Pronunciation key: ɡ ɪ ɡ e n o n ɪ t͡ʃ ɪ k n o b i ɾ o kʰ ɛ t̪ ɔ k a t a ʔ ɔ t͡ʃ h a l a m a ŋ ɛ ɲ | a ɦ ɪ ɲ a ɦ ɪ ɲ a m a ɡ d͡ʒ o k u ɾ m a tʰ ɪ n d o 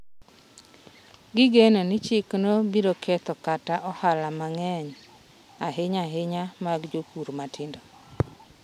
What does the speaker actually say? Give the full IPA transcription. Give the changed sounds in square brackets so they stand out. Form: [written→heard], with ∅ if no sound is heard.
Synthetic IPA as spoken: ɡ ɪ ɡ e n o n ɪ t͡ʃ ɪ k n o b i ɾ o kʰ ɛ t̪ ɔ k a t a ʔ ɔ [t͡ʃ→∅] h a l a m a ŋ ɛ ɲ | a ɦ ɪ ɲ a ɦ ɪ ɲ a m a ɡ d͡ʒ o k u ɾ m a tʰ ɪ n d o